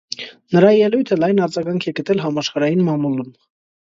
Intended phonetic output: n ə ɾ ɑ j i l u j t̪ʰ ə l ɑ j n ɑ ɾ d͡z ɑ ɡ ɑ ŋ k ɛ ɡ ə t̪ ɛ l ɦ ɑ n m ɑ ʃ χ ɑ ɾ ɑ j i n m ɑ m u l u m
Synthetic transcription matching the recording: n ə ɾ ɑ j ɛ l u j t̪ʰ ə l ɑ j n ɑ ɾ d͡z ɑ ɡ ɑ ŋ kʰ ɛ ɡ ə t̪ ɛ l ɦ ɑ m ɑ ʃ χ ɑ ɾ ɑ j i n m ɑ m u l u m